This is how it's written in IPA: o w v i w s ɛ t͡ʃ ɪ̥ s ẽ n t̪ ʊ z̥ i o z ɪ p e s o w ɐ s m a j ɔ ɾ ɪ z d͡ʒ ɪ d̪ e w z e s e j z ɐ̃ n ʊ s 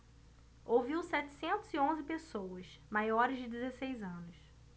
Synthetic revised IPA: o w v i w s ɛ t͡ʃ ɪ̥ s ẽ n t̪ ʊ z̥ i õ z ɪ p e s o w ɐ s m a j ɔ ɾ ɪ z d͡ʒ ɪ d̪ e z e s e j z ɐ̃ n ʊ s